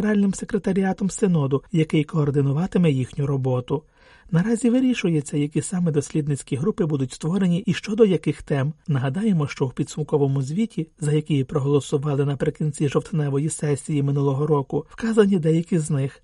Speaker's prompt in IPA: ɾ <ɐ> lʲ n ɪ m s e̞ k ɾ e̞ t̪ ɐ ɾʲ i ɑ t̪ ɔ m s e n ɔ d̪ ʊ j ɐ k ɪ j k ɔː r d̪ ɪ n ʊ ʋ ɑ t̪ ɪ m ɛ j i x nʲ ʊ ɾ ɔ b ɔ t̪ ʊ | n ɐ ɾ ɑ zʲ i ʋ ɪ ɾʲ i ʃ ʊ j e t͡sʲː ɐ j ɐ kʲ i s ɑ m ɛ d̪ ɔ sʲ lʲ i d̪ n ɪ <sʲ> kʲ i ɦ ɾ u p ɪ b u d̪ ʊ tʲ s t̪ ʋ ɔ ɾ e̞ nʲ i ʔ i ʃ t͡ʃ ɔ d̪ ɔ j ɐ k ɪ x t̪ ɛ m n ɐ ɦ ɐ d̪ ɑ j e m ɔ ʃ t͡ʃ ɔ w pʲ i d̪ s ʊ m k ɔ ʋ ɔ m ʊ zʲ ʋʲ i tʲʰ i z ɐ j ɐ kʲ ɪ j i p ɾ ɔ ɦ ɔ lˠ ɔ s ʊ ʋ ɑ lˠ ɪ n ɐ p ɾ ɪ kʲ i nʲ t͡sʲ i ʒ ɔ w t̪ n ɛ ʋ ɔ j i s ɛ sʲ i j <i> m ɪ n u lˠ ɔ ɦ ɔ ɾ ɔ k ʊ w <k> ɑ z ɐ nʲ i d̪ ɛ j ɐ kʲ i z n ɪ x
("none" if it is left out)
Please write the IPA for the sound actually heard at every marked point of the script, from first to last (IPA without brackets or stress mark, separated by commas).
ɑ, t͡sʲ, i, k